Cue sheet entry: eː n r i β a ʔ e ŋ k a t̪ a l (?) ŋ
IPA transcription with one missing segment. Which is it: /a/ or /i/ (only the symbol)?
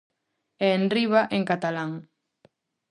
a